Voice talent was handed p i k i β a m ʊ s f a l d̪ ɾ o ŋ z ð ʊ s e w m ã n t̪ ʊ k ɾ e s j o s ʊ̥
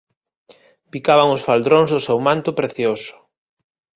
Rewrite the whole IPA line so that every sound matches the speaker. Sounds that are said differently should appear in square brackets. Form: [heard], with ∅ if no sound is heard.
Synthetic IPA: p i k [a] β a [ŋ] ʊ s f a l d̪ ɾ o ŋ z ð ʊ s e w m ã n t̪ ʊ [p] ɾ e [θ] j o s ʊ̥